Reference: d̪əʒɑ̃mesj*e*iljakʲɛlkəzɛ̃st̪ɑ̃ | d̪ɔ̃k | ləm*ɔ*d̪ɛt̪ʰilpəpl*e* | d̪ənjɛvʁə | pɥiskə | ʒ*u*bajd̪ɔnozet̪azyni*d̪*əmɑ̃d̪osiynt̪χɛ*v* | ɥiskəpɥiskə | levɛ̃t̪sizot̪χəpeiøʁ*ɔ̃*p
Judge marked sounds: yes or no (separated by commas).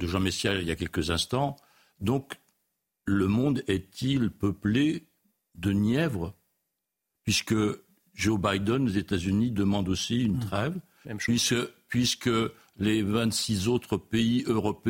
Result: no, no, yes, no, yes, yes, no